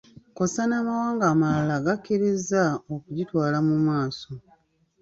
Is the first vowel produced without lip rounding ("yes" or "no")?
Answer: no